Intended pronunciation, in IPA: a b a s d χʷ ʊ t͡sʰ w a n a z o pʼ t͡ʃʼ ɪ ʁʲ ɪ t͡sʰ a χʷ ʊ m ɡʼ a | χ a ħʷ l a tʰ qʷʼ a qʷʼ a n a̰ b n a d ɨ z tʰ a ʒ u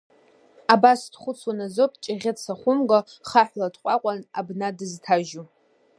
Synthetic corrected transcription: a b a s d χʷ ʊ t͡sʰ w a n a z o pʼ t͡ʃʼ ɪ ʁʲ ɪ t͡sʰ a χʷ ʊ m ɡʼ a | χ a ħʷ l a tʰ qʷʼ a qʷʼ a n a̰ b n a d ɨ z tʰ a ʒ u